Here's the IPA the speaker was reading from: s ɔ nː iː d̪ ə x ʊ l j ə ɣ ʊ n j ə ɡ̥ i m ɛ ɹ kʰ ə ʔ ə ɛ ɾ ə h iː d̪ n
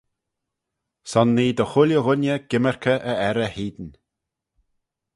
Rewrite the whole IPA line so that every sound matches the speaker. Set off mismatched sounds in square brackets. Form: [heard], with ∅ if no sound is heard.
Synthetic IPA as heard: s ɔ nː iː d̪ ə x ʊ l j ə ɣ ʊ n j ə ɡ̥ [ɪ] m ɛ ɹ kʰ ə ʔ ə ɛ ɾ ə h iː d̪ n